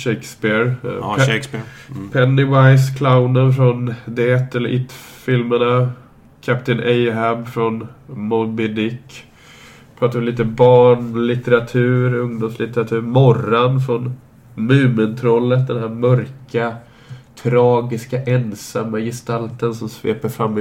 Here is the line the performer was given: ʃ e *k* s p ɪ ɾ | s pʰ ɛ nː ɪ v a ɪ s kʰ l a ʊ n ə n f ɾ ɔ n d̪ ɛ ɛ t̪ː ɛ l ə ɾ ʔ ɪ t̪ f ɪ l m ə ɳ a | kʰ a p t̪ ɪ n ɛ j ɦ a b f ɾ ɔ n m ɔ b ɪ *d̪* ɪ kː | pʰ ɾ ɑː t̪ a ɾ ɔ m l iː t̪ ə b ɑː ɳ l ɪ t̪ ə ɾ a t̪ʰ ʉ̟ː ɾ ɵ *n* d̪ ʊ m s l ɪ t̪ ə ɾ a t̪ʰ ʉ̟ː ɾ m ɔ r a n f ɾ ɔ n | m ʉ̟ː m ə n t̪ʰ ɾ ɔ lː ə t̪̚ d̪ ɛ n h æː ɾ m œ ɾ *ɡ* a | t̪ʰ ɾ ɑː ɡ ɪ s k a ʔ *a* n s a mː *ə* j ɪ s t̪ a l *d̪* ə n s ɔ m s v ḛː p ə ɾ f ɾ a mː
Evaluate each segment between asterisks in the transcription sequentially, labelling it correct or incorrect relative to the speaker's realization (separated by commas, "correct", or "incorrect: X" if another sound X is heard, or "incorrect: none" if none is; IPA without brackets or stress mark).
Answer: correct, correct, incorrect: ŋ, incorrect: k, incorrect: ɛ, incorrect: a, incorrect: t̪